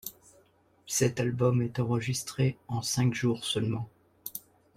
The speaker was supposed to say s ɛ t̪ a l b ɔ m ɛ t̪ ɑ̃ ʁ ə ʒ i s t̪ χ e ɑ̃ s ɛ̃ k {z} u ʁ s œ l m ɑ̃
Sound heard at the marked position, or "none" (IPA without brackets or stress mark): ʒ